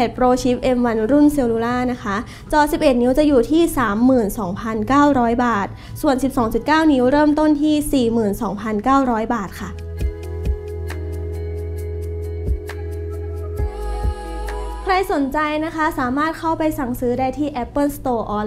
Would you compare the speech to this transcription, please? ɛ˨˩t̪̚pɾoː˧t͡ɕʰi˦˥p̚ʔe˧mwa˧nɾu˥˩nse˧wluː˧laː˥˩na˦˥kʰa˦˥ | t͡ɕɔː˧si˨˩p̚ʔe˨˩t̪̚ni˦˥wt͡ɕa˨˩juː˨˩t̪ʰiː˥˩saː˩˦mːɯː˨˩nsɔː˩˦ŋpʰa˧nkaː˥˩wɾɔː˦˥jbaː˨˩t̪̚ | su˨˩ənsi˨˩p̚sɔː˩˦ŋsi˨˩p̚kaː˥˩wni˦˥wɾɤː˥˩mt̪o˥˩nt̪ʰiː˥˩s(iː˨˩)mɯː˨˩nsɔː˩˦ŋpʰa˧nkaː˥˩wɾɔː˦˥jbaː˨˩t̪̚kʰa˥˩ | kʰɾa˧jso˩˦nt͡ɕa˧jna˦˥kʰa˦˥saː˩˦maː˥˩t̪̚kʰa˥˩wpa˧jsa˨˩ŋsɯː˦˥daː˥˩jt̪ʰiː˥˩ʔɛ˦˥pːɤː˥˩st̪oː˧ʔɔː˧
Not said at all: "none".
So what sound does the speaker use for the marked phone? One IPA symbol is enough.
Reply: iː˨˩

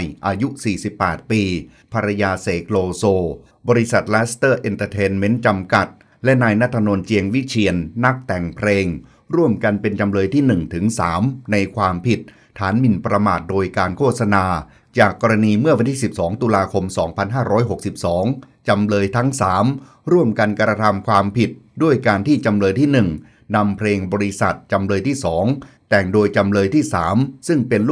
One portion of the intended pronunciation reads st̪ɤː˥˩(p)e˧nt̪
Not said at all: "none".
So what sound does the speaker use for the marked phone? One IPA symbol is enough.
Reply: ʔ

